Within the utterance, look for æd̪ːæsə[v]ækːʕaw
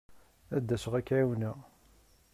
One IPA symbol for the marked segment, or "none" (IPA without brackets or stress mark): ʁ